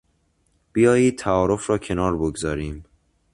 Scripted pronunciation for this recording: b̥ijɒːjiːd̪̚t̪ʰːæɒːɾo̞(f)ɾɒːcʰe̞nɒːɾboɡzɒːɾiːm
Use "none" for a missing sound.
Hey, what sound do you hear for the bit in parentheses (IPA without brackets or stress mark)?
f